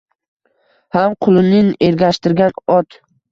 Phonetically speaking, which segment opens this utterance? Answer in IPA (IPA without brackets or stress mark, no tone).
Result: h